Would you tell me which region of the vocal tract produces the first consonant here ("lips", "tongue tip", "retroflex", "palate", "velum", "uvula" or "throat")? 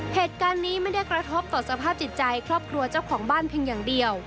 throat